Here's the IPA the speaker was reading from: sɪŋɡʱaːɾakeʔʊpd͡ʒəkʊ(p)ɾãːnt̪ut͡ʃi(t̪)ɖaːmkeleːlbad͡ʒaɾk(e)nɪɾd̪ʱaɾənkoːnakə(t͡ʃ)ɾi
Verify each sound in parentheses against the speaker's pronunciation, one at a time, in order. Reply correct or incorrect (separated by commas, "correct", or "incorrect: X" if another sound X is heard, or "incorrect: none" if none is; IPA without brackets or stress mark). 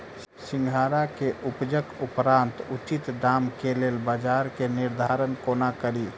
correct, correct, correct, incorrect: none